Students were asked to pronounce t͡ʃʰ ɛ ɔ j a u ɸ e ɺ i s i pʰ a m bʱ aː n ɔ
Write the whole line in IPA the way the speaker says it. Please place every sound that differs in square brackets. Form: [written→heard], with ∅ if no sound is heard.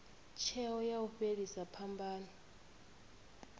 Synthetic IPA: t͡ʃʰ ɛ ɔ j a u ɸ e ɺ i s [i→a] pʰ a m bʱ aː n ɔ